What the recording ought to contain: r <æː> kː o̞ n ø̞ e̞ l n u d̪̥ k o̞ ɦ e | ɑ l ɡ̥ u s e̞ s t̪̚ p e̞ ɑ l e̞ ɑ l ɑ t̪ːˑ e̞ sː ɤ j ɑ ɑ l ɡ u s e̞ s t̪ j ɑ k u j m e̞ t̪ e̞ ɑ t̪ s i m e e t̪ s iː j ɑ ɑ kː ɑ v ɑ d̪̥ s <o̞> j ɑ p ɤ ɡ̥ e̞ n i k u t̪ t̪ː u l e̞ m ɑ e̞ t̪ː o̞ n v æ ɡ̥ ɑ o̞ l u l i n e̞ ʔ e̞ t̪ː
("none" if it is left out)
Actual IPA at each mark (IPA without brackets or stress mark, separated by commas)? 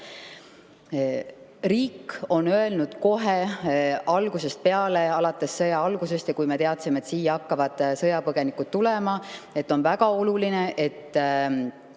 iː, ɤ̞